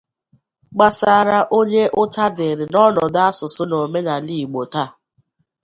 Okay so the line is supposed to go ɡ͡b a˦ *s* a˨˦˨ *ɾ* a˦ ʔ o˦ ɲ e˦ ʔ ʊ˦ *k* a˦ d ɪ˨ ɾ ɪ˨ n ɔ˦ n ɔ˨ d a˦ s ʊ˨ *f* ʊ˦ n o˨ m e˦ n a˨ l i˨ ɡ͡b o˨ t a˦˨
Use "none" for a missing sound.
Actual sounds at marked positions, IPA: s, ɾ, t, s

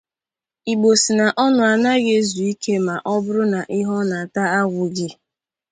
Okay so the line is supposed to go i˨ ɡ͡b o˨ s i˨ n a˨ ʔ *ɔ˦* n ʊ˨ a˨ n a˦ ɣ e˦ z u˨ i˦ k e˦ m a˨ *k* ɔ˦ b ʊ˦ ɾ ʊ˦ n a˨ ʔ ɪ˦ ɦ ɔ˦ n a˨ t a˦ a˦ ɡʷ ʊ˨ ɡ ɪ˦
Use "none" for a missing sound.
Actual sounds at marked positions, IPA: ɔ˦, ʔ

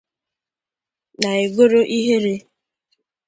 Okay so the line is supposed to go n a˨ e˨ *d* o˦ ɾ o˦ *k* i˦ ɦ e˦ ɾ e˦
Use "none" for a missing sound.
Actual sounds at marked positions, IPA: ɡ, ʔ

